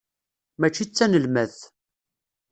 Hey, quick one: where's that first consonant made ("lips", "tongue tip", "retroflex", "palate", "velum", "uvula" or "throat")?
lips